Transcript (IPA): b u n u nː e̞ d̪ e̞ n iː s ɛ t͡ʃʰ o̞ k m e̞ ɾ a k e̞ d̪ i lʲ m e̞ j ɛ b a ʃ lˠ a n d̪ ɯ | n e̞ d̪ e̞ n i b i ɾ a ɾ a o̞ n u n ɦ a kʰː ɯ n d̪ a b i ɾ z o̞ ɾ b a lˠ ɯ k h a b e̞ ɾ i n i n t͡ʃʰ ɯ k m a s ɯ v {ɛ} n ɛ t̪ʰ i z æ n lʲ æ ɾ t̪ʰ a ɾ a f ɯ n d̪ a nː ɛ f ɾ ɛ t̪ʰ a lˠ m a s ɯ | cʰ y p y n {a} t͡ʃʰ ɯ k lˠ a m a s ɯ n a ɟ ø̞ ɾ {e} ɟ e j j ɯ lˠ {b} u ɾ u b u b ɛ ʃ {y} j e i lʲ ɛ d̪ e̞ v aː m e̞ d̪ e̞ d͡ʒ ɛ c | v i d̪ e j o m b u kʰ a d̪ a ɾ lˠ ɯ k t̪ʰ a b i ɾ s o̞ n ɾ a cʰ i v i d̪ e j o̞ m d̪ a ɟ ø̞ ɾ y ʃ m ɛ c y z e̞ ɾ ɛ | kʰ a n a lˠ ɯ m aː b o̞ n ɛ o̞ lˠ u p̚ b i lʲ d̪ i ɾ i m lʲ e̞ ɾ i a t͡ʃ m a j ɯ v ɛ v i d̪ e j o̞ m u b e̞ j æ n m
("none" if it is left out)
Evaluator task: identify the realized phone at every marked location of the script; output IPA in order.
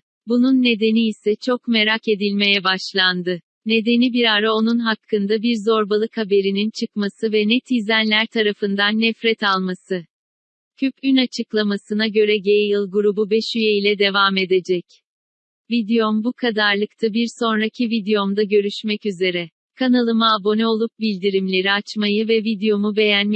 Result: ɛ, a, ɛ, ɡ, y

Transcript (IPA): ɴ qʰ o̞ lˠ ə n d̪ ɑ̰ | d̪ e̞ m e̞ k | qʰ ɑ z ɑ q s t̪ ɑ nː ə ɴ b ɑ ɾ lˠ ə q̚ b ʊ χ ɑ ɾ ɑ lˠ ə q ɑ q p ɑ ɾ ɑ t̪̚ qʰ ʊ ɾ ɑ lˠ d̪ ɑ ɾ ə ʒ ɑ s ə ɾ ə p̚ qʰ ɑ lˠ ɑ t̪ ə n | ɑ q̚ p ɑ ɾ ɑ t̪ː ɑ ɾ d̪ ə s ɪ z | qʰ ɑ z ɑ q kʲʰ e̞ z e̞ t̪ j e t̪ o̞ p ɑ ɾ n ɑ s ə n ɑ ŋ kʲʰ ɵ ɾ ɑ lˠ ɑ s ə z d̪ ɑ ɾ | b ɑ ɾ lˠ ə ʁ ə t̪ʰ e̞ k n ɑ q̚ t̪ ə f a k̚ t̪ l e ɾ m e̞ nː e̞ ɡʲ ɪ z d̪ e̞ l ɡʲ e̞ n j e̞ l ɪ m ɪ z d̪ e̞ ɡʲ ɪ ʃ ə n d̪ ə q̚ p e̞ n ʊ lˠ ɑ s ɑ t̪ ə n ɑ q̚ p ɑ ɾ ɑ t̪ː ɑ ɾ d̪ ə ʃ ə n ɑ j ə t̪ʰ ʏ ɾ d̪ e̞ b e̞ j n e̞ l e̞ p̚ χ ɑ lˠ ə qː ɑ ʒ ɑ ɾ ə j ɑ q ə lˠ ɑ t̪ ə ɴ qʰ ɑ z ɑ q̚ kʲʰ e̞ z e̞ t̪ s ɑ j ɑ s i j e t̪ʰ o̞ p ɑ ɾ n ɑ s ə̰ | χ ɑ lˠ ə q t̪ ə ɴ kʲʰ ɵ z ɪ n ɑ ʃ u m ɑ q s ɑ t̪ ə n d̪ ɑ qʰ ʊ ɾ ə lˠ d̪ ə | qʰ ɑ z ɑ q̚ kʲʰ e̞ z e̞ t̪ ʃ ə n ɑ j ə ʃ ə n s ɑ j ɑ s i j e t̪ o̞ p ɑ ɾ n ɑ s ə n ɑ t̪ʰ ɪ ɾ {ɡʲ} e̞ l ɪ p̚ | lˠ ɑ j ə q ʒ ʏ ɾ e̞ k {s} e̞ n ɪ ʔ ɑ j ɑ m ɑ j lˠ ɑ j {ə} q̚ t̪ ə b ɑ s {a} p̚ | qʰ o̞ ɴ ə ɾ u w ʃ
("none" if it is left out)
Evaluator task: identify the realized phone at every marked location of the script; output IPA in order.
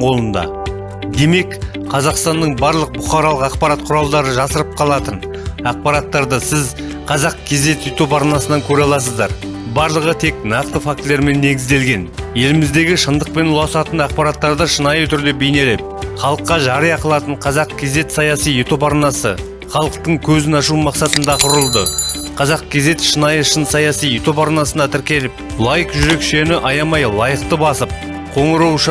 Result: kʲ, ʃ, ə, ə

